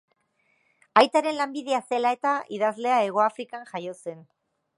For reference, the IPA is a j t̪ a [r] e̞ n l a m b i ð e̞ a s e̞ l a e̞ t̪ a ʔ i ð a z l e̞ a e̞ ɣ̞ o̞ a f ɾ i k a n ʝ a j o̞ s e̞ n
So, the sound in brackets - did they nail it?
no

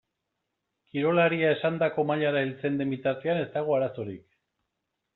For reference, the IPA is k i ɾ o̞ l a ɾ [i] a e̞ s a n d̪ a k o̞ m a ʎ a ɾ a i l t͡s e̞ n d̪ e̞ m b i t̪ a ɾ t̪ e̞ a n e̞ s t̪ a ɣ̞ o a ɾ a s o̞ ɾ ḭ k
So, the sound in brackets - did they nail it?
yes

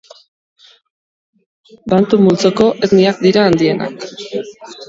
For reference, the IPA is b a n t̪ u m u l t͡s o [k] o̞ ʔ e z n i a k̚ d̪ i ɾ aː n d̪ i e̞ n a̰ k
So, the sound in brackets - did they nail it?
yes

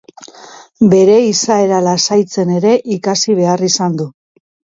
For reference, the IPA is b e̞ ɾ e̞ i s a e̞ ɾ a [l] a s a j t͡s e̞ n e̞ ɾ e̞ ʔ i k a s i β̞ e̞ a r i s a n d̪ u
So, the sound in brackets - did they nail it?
yes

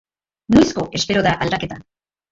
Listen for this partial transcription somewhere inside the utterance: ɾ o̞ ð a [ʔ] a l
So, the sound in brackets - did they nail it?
yes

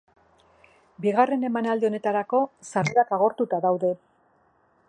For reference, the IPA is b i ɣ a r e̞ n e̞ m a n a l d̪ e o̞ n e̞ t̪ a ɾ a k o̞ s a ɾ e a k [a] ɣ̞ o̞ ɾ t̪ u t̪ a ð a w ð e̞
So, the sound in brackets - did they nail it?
yes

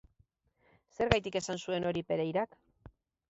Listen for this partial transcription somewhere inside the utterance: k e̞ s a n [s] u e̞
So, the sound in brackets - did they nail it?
yes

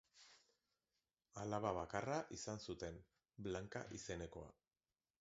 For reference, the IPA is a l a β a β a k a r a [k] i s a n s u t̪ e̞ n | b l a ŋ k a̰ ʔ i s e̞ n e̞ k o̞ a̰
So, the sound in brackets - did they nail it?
no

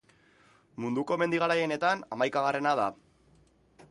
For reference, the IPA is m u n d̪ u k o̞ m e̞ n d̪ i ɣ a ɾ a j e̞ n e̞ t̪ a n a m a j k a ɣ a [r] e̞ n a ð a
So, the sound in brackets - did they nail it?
yes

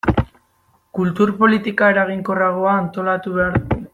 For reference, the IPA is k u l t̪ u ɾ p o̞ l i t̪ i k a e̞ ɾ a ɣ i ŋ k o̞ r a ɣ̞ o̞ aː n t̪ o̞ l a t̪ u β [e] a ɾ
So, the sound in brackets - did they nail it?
yes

